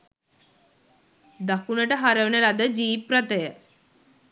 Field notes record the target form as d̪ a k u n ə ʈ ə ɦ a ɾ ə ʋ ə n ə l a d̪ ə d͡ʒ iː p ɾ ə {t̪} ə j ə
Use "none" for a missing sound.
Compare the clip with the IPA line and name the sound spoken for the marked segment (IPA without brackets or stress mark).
t̪